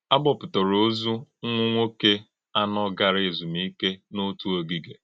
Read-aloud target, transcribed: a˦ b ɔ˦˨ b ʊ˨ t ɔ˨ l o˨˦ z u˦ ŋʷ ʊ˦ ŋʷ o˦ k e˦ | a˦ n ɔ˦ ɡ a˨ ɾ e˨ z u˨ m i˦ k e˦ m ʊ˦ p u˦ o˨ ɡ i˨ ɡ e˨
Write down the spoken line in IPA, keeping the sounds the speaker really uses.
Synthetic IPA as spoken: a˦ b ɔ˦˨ p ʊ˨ t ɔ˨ ɾ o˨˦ z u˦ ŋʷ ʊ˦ ŋʷ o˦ k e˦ | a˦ n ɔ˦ ɡ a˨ ɾ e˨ z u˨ m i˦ k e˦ n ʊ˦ t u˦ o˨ ɡ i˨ ɡ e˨